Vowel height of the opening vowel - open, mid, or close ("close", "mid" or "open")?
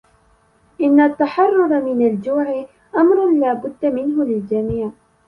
close